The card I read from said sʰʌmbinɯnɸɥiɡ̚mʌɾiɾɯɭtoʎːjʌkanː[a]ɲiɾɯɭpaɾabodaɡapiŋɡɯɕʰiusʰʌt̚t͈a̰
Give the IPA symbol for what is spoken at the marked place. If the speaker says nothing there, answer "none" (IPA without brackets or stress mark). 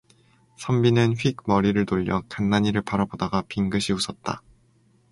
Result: a